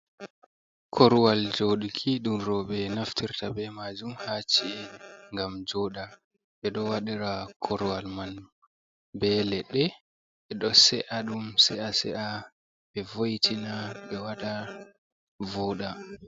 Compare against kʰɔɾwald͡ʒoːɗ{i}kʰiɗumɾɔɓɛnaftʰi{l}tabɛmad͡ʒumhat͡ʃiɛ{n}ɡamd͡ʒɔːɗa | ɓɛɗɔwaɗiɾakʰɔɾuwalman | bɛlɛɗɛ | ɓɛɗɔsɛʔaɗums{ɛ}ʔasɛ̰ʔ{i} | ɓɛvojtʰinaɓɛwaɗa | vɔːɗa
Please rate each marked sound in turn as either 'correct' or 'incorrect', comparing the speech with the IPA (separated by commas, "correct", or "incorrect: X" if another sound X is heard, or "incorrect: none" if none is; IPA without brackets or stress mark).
correct, incorrect: ɾ, incorrect: ŋ, correct, incorrect: a